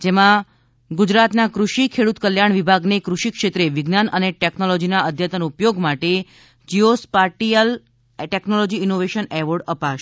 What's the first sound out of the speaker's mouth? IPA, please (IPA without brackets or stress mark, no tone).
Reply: d͡ʒ